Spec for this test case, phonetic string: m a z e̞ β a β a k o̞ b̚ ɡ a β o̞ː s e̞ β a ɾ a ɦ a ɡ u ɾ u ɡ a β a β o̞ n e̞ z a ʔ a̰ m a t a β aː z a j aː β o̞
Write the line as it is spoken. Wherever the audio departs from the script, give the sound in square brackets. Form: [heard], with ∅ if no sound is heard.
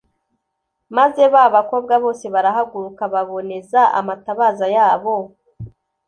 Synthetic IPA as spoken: m a z e̞ β a β a k o̞ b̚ ɡ a β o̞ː s e̞ β a ɾ a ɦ a ɡ u ɾ u [k] a β a β o̞ n e̞ z a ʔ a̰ m a t a β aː z a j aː β o̞